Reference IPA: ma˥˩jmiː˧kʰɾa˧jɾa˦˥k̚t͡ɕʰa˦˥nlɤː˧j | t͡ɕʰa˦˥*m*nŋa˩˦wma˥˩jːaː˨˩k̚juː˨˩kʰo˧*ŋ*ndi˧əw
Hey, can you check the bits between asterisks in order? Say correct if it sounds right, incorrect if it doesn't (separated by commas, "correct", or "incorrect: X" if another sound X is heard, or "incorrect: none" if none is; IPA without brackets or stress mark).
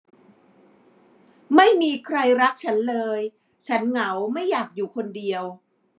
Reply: incorrect: none, incorrect: none